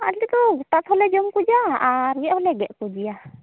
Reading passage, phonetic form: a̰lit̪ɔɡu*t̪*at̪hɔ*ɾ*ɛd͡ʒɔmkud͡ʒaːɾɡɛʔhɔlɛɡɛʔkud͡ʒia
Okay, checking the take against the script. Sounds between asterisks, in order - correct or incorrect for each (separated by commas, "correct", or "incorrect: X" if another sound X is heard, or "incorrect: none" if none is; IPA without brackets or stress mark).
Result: correct, incorrect: l